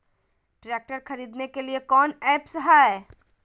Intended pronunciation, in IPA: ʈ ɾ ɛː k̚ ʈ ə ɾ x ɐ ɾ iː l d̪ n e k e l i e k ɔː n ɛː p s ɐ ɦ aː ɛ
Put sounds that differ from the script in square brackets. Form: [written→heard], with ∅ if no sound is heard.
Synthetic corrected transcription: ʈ ɾ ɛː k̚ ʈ ə ɾ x ɐ ɾ iː [l→∅] d̪ n e k e l i e k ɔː n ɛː p s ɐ ɦ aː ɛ